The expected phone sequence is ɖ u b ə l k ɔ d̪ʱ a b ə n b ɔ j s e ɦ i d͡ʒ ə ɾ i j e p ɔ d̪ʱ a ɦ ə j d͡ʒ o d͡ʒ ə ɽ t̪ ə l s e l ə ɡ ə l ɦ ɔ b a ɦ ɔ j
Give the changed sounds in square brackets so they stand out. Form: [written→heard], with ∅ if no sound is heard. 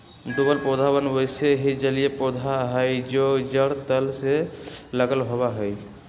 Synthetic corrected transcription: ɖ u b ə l [k→p] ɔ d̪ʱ a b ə n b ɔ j s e ɦ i d͡ʒ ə [ɾ→l] i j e p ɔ d̪ʱ a ɦ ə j d͡ʒ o d͡ʒ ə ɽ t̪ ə l s e l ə ɡ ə l ɦ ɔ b a ɦ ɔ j

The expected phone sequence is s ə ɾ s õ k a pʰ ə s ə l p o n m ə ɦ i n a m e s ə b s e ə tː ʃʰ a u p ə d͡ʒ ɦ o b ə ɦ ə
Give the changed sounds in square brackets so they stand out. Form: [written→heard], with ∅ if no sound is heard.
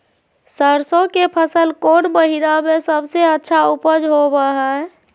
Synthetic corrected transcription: s ə ɾ s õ k [a→e] pʰ ə s ə l [p→k] o n m ə ɦ i n a m e s ə b s e ə tː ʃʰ a u p ə d͡ʒ ɦ o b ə ɦ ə

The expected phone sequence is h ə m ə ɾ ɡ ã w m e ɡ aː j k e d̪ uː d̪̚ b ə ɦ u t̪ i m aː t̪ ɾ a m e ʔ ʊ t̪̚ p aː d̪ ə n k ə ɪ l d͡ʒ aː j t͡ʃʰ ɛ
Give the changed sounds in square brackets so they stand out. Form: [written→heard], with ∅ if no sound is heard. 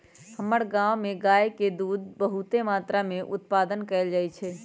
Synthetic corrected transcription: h ə m ə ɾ ɡ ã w m e ɡ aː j k e d̪ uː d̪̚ b ə ɦ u t̪ [i→e] m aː t̪ ɾ a m e ʔ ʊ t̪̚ p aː d̪ ə n k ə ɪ l d͡ʒ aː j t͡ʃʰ ɛ

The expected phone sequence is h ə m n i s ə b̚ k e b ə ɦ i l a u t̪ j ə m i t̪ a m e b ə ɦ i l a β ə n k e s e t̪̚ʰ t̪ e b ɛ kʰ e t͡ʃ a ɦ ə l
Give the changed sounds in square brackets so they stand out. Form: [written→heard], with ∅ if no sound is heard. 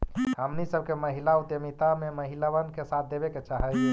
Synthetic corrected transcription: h ə m n i s ə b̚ k e [b→m] ə ɦ i l a u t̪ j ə m i t̪ a m e [b→m] ə ɦ i l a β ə n k e s [e→a] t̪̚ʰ [t̪→d̪] e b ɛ [kʰ→k] e t͡ʃ a ɦ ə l

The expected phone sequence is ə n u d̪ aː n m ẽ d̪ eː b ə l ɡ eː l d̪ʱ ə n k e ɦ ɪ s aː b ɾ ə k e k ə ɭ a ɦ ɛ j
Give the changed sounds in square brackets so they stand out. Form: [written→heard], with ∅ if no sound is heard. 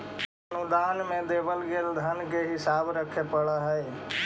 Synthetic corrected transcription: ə n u d̪ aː n m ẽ d̪ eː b ə l ɡ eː l d̪ʱ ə n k e ɦ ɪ s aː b ɾ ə [k→kʰ] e [k→p] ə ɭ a ɦ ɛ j

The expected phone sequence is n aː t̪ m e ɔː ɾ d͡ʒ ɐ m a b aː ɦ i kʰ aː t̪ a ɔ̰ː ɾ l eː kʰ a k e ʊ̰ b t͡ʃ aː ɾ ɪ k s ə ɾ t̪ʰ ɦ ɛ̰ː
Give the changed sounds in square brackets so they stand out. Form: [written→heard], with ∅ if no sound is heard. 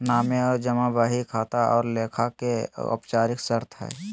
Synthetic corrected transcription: n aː [t̪→∅] m e ɔː ɾ d͡ʒ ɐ m a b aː ɦ i kʰ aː t̪ a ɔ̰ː ɾ l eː kʰ a k e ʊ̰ [b→p] t͡ʃ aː ɾ ɪ k s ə ɾ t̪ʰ ɦ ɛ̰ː

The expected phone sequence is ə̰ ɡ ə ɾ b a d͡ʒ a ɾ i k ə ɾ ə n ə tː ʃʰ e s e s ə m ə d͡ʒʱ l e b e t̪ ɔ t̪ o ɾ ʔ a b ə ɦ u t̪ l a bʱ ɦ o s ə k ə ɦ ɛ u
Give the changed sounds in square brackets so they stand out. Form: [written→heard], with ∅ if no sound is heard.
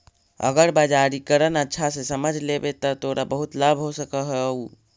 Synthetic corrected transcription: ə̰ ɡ ə ɾ b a d͡ʒ a ɾ i k ə ɾ ə n ə tː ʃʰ [e→a] s e s ə m ə d͡ʒʱ l e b e t̪ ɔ t̪ o ɾ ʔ a b ə ɦ u t̪ l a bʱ ɦ o s ə k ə ɦ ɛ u

